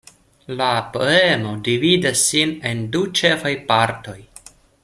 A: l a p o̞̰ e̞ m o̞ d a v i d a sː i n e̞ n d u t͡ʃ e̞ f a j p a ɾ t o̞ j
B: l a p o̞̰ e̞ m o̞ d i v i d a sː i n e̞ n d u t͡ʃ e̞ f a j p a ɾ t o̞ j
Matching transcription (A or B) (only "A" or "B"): B